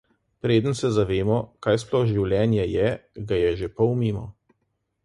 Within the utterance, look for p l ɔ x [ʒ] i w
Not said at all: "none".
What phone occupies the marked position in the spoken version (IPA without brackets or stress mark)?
ʒ